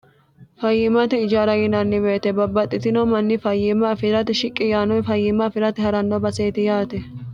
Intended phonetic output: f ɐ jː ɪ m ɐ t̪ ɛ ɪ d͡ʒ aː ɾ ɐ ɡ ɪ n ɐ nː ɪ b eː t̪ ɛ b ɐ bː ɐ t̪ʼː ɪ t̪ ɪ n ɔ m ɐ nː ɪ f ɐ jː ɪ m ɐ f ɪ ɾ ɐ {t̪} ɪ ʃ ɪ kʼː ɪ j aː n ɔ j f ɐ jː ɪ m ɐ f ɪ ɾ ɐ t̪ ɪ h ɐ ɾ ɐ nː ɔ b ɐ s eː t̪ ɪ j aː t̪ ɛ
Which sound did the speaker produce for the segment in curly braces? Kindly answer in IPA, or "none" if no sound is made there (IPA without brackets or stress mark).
t̪